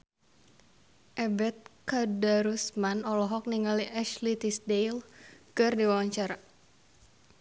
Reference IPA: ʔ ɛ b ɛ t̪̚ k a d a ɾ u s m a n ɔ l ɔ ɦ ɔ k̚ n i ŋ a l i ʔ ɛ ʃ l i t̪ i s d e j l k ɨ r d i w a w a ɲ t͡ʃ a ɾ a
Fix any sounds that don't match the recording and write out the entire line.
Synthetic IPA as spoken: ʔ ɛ b ɛ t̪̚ k a d a ɾ u s m a n ɔ l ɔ ɦ ɔ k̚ n i ŋ a l i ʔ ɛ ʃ l i t̪ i s d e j l k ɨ r d i w a w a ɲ t͡ʃ a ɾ a

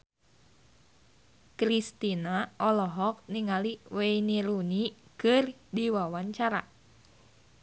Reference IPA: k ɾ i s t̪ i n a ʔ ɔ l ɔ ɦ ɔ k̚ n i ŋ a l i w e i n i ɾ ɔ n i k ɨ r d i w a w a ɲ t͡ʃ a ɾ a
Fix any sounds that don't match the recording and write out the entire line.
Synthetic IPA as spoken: k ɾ i s t̪ i n a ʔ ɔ l ɔ ɦ ɔ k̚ n i ŋ a l i w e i n i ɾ u n i k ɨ r d i w a w a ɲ t͡ʃ a ɾ a

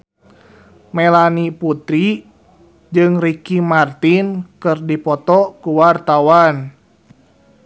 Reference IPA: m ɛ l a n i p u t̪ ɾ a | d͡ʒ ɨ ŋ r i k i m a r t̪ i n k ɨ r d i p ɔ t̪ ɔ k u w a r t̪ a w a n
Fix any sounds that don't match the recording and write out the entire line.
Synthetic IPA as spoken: m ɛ l a n i p u t̪ ɾ i | d͡ʒ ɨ ŋ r i k i m a r t̪ i n k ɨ r d i p ɔ t̪ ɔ k u w a r t̪ a w a n

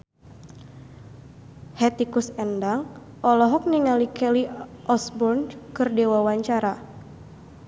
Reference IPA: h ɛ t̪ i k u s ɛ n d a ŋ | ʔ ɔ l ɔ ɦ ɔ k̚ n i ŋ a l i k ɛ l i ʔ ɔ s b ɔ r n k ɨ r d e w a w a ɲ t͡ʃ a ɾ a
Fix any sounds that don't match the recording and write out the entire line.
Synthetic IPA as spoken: h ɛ t̪ i k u s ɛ n d a ŋ | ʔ ɔ l ɔ ɦ ɔ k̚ n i ŋ a l i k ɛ l i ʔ ɔ s b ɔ r n k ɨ r d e w a w a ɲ t͡ʃ a ɾ a

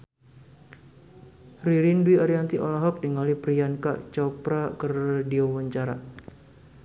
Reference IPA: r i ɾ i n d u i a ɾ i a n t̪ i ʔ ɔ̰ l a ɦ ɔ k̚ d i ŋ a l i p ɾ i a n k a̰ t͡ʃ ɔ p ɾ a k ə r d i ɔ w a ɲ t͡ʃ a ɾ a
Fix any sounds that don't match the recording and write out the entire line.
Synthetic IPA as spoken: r i ɾ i n d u i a ɾ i a n t̪ i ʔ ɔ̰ l a ɦ ɔ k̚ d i ŋ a l i p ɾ i a n k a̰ t͡ʃ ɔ p ɾ a k ə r d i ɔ w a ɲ t͡ʃ a ɾ a

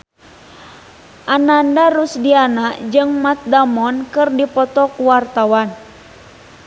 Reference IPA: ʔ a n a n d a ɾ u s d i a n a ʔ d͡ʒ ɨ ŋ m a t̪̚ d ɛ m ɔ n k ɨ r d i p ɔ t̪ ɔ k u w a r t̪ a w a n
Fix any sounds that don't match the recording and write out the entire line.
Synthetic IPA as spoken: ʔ a n a n d a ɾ u s d i a n a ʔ d͡ʒ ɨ ŋ m a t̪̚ d a m ɔ n k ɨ r d i p ɔ t̪ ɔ k u w a r t̪ a w a n

